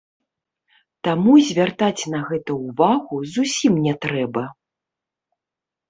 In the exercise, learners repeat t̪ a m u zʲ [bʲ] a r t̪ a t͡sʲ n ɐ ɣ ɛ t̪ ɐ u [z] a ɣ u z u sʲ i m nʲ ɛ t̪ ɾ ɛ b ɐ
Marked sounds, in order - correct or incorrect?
incorrect: vʲ, incorrect: v

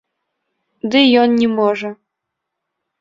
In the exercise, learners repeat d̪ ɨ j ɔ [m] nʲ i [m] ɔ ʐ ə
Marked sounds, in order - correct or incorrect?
incorrect: n, correct

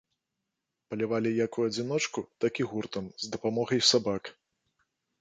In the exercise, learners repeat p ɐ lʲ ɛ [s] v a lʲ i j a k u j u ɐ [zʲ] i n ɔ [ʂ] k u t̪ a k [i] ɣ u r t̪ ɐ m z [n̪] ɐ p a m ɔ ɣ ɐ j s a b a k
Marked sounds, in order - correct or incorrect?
incorrect: none, incorrect: d͡zʲ, incorrect: t͡ʂ, correct, incorrect: d̪

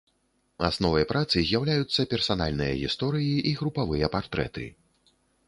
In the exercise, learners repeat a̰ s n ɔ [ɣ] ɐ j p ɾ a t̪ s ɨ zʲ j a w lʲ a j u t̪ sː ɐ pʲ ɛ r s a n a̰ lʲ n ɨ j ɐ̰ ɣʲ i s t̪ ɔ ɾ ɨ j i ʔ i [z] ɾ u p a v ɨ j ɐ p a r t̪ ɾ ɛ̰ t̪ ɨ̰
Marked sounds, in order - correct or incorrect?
incorrect: v, incorrect: ɣ

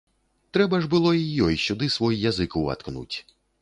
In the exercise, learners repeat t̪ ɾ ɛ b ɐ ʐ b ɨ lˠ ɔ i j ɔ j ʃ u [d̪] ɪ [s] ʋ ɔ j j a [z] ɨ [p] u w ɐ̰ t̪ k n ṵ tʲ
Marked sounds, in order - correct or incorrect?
correct, correct, correct, incorrect: k

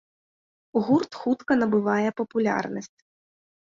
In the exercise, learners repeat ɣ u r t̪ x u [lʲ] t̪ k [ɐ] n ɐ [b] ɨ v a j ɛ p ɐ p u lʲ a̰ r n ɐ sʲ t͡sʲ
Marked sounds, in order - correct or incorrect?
incorrect: none, correct, correct

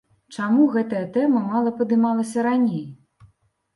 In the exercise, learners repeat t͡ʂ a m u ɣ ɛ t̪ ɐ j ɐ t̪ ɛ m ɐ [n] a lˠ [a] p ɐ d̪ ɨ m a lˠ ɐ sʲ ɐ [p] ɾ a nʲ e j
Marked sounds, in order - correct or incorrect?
incorrect: m, incorrect: ɐ, incorrect: none

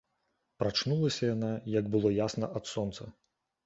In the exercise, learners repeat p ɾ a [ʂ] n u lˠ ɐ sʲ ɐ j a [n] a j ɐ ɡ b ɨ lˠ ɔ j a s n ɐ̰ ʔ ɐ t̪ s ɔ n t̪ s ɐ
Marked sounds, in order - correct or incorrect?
incorrect: t͡ʂ, correct

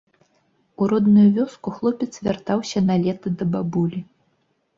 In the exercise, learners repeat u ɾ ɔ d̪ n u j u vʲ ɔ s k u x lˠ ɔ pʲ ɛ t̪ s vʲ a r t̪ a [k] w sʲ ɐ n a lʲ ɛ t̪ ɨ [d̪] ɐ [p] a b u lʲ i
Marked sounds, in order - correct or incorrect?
incorrect: none, correct, incorrect: b

